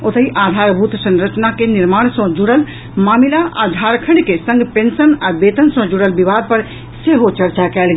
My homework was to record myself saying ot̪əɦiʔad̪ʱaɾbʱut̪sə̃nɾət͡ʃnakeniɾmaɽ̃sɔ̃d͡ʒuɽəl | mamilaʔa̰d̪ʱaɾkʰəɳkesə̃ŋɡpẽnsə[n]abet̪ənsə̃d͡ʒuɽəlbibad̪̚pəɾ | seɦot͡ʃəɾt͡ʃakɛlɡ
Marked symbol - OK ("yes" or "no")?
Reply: yes